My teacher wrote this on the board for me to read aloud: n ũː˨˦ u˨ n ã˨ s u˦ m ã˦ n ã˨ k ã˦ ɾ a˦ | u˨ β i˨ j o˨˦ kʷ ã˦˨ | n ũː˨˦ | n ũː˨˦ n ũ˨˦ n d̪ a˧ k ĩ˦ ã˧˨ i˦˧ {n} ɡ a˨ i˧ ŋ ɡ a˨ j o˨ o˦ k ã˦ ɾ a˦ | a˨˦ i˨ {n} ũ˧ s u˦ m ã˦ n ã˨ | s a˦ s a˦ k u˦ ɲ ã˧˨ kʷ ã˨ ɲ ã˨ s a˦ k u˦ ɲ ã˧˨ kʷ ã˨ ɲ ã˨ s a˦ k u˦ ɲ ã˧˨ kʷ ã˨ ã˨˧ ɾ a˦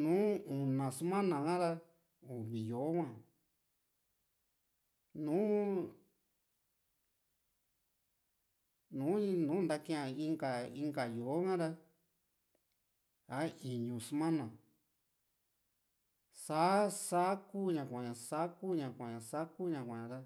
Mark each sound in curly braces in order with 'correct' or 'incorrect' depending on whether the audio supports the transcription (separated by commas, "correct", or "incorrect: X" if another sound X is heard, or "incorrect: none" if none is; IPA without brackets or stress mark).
incorrect: ŋ, incorrect: ɲ